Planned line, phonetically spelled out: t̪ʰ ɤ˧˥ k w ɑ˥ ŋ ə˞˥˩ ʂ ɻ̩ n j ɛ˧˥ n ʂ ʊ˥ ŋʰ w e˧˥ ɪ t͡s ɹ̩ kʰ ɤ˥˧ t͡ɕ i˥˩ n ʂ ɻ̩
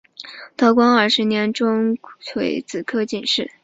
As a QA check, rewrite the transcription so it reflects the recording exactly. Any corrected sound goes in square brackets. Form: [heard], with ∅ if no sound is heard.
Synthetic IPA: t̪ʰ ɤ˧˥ k w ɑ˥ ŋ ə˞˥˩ ʂ ɻ̩ n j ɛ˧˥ n [ʈ͡ʂ] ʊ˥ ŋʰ w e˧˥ ɪ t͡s ɹ̩ kʰ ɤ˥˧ t͡ɕ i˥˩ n ʂ ɻ̩